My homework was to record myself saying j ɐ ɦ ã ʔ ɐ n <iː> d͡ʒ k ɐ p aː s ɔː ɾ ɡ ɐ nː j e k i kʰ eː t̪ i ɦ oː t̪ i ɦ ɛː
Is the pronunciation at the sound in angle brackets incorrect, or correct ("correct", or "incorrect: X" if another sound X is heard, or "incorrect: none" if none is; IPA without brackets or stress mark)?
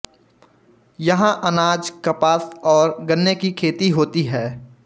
incorrect: aː